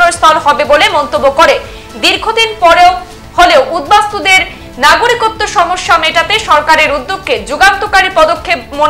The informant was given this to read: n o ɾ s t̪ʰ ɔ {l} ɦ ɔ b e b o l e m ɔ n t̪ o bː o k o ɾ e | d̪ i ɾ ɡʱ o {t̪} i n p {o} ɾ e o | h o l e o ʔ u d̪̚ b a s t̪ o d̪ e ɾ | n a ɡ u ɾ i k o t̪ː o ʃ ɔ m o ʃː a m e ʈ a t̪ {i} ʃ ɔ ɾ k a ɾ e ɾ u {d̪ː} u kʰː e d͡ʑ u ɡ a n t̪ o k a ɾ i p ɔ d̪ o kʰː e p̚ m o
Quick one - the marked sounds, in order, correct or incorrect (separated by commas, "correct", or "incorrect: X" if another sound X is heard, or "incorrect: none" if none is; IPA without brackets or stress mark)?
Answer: correct, incorrect: d̪, incorrect: ɔ, incorrect: e, correct